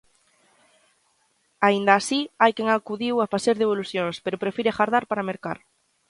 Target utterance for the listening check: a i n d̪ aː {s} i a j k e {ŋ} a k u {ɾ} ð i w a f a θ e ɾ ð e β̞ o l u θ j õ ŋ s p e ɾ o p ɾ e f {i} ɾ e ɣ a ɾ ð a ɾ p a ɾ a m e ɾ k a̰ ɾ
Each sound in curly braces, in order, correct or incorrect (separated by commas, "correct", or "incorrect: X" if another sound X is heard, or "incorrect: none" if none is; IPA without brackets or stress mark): correct, correct, incorrect: none, correct